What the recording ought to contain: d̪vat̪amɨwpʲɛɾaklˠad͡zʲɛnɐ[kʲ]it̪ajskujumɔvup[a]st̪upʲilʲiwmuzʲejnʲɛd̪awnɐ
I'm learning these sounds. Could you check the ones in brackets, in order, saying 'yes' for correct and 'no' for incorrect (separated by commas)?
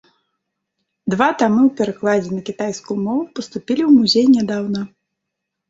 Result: yes, no